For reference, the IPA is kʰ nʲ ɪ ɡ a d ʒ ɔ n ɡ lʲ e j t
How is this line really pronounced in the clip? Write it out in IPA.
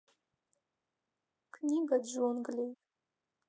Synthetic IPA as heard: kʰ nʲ i ɡ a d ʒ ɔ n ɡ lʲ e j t